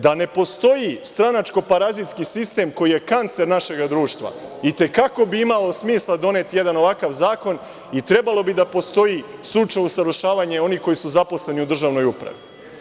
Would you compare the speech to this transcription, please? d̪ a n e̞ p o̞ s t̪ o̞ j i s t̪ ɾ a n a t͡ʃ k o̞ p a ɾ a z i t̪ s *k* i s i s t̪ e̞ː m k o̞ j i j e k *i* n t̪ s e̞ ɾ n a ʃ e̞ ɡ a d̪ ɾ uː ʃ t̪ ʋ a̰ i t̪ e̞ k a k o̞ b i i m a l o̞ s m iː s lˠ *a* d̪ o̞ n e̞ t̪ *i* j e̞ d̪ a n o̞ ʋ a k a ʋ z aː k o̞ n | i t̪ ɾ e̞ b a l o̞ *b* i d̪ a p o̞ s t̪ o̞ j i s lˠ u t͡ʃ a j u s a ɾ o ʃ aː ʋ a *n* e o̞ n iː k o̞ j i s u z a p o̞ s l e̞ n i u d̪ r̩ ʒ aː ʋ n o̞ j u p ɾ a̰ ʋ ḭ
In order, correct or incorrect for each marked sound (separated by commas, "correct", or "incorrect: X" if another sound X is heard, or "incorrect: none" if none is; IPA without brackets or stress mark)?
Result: correct, incorrect: a, correct, correct, correct, incorrect: ɲ